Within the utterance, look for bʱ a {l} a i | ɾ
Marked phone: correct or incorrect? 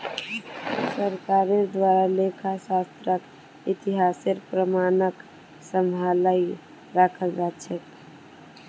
correct